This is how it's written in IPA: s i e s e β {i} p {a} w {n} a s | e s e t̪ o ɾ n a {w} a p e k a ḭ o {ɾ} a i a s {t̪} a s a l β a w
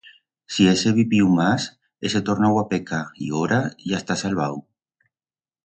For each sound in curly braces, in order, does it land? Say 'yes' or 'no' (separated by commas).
yes, no, no, yes, yes, yes